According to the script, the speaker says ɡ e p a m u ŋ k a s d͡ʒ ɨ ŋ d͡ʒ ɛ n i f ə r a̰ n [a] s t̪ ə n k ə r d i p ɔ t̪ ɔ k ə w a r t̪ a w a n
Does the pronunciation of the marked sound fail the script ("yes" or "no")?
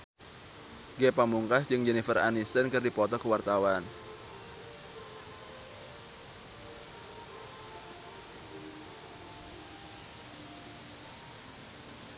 yes